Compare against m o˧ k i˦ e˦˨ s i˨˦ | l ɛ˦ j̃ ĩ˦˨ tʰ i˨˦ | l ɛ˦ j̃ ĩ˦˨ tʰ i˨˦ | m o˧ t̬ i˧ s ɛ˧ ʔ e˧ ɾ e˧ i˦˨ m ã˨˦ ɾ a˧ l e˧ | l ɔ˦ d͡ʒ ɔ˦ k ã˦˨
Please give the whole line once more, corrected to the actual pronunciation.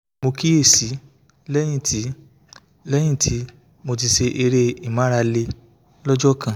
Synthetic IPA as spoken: m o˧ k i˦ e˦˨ s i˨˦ | l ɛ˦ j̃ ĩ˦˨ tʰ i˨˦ | l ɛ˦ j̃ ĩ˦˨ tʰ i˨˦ | m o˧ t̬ i˧ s e˧ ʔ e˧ ɾ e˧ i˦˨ m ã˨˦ ɾ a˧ l e˧ | l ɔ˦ d͡ʒ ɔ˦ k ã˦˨

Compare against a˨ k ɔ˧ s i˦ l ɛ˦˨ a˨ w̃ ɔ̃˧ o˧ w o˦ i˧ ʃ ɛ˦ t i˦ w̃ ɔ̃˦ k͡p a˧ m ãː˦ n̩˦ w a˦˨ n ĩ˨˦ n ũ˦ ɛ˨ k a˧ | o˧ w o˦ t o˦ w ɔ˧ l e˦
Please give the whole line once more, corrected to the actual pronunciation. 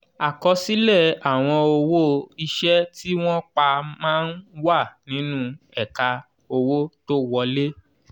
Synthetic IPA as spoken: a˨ k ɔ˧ s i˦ l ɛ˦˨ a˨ w̃ ɔ̃˧ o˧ w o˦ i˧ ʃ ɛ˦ t i˦ w̃ ɔ̃˦ k͡p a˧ m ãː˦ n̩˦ w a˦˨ n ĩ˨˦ n ũ˦ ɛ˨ k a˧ | o˧ w o˦ t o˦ w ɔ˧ l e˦

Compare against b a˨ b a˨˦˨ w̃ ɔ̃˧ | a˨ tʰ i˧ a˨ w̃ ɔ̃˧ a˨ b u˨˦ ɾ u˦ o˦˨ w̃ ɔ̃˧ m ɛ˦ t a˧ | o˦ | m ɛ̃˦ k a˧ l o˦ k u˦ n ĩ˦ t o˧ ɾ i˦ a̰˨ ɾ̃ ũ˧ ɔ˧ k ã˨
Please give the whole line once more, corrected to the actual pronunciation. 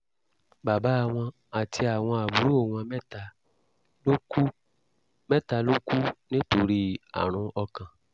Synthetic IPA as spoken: b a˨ b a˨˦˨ w̃ ɔ̃˧ | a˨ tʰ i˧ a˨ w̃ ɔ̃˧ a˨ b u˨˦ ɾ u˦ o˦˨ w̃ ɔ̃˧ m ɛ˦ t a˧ | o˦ | m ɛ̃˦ t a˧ l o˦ k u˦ n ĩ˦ t o˧ ɾ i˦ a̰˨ ɾ̃ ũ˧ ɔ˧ k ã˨

